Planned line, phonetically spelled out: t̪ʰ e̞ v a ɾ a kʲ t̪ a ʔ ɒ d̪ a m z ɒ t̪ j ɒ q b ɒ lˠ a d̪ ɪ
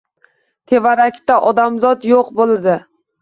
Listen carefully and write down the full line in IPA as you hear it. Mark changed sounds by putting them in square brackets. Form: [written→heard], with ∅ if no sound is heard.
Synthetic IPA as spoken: t̪ʰ e̞ v a ɾ a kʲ t̪ a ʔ ɒ d̪ a m z ɒ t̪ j [ɒ→o] q b [ɒ→o] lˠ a d̪ ɪ